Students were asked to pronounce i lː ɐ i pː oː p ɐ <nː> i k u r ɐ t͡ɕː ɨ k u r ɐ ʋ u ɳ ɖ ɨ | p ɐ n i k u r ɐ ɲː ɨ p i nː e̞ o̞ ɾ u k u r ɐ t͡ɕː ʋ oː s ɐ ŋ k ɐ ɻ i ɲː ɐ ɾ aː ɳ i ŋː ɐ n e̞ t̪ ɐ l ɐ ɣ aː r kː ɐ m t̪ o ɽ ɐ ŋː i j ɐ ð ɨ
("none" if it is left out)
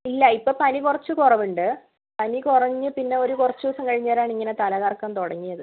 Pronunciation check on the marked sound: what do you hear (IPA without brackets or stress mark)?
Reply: n